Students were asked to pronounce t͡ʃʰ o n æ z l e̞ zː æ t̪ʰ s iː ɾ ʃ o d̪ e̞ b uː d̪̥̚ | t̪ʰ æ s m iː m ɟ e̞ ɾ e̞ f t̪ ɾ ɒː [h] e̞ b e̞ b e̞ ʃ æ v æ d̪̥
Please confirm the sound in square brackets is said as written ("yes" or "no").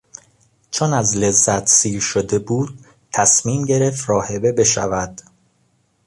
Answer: yes